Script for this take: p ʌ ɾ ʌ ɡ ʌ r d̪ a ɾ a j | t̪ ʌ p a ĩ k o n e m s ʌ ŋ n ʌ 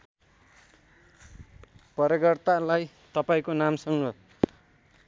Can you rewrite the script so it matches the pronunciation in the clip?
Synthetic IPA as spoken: p ʌ ɾ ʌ ɡ ʌ r t̪ a l a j | t̪ ʌ p a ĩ k o n a m s ʌ ŋ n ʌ